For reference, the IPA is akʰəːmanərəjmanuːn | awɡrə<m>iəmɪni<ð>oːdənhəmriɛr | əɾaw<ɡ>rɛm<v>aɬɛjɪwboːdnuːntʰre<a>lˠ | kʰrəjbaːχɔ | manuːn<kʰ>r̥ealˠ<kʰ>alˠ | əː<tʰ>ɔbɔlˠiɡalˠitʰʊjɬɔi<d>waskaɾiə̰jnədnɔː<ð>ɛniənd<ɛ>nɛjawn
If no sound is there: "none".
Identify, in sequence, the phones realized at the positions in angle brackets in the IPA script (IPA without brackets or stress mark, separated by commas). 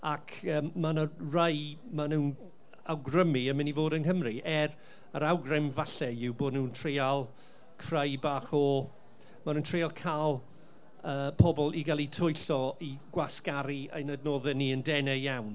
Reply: m, v, ɡ, v, a, tʰ, kʰ, pʰ, ɡ, ð, ɛ